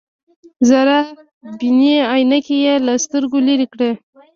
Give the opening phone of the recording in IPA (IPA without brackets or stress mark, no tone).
z